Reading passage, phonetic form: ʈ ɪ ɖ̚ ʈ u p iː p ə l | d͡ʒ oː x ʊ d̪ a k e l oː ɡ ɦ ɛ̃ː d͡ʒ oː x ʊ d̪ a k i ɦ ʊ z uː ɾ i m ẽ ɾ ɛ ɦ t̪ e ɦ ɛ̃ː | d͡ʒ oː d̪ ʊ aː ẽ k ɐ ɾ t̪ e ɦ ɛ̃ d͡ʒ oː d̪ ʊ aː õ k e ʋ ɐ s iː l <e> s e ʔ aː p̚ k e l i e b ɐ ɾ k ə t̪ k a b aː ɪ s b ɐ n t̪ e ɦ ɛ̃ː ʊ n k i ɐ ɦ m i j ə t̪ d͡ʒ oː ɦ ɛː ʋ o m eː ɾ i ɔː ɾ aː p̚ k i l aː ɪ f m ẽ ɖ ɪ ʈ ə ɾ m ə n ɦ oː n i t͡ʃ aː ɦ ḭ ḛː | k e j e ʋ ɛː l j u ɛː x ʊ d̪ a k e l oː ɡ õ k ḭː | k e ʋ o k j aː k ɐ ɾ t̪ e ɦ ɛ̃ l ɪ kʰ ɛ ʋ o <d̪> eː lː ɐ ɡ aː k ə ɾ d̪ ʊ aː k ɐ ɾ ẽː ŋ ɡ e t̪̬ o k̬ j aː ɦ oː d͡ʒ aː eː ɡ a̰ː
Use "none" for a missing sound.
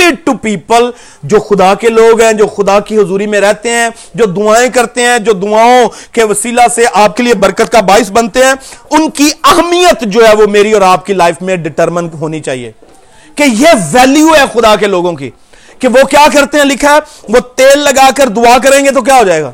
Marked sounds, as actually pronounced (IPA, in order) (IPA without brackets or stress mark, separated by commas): a, t̪